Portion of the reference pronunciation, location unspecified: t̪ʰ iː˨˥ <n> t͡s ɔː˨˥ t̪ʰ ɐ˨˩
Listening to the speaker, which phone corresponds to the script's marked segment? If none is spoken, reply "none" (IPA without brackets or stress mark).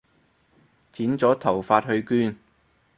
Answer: n